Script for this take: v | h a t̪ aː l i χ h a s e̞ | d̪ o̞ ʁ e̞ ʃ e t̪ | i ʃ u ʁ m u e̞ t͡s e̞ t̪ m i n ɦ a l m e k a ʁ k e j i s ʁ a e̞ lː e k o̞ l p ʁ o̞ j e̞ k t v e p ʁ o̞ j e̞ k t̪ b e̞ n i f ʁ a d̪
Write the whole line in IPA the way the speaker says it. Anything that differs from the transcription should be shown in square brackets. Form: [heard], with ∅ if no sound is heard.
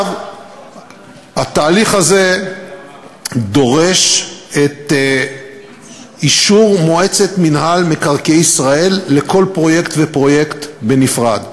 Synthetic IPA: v | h a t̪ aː l i χ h a [z] e̞ | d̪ o̞ ʁ e̞ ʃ e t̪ | i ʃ u ʁ m [o] e̞ t͡s e̞ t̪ m i n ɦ a l m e k a ʁ k e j i s ʁ a e̞ lː e k o̞ l p ʁ o̞ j e̞ k t v e p ʁ o̞ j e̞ k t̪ b e̞ n i f ʁ a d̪